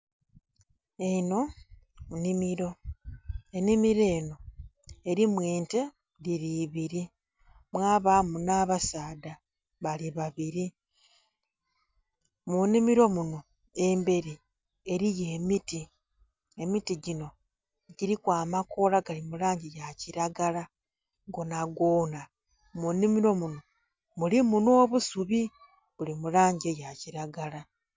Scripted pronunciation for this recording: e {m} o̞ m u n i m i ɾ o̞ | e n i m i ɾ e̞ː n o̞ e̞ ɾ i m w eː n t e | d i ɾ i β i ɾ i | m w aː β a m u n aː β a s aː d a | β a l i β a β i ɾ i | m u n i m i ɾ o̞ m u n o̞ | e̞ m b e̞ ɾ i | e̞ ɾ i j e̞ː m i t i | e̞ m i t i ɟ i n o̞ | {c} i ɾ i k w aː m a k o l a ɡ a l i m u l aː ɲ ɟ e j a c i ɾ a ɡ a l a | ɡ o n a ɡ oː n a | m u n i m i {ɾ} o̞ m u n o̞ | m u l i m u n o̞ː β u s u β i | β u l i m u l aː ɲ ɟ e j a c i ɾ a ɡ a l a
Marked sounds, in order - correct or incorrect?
incorrect, incorrect, correct

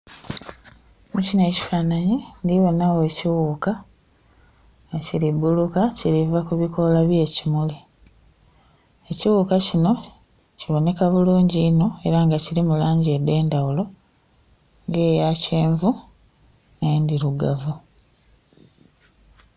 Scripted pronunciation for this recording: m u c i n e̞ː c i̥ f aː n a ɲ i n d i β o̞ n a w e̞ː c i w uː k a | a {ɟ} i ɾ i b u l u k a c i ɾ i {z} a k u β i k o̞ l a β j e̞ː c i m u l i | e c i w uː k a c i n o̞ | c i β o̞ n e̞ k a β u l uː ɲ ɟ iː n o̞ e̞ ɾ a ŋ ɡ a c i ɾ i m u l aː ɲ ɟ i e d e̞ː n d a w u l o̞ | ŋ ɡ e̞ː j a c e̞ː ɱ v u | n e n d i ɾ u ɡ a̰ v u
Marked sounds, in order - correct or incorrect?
incorrect, incorrect

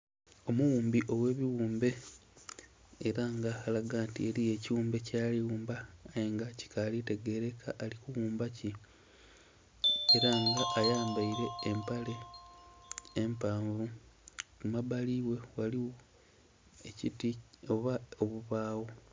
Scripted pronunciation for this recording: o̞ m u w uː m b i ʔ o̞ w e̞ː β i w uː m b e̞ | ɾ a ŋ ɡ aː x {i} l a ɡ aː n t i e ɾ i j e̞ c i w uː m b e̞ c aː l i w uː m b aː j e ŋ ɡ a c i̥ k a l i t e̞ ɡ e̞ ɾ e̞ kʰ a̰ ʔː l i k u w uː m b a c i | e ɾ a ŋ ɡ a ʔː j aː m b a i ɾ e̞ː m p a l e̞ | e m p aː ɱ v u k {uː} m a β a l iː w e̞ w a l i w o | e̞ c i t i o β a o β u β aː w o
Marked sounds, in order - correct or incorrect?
incorrect, incorrect

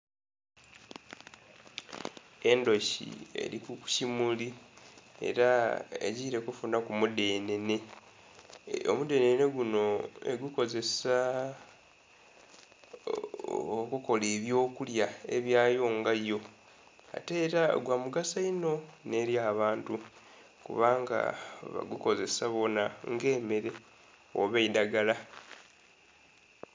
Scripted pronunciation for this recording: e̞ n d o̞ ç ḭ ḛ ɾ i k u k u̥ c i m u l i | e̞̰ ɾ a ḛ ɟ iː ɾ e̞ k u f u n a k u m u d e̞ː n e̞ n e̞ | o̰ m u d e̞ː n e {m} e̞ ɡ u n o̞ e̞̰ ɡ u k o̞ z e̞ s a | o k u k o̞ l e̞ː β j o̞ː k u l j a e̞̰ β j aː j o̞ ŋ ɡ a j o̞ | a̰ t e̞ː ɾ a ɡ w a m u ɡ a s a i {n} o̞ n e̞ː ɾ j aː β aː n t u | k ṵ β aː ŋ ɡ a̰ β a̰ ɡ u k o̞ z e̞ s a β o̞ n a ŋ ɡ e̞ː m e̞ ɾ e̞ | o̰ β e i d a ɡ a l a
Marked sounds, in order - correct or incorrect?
incorrect, correct

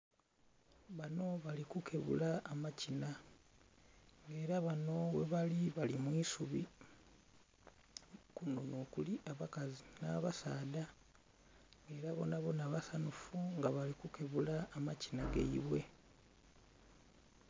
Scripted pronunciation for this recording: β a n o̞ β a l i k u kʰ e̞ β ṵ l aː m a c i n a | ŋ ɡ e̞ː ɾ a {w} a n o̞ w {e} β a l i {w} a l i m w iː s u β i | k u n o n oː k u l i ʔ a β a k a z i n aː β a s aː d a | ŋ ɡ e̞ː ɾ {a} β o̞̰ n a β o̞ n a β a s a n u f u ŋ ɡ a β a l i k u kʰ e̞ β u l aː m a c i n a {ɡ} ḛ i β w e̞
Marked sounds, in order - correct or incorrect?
incorrect, correct, incorrect, correct, correct

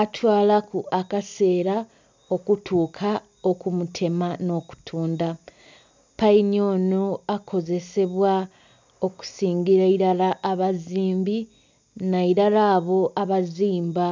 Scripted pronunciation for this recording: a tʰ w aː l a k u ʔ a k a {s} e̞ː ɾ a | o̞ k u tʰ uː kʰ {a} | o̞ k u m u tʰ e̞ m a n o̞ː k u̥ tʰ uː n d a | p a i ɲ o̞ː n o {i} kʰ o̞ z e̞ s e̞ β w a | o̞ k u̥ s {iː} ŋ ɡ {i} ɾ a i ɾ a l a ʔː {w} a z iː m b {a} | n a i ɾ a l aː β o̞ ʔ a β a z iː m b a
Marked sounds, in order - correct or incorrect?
correct, correct, incorrect, correct, correct, incorrect, incorrect

